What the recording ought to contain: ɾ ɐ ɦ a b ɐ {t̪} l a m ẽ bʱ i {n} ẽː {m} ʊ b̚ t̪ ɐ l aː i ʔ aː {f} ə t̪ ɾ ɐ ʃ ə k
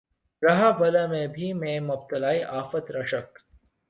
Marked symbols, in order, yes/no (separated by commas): no, no, yes, yes